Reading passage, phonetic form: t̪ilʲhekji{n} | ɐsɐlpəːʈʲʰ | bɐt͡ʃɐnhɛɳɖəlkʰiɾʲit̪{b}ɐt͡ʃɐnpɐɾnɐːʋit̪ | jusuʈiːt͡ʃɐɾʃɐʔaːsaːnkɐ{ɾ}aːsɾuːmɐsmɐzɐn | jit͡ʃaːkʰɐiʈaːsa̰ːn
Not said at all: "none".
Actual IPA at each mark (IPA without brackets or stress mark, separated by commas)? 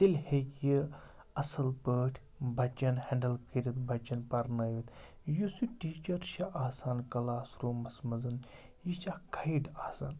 none, b, l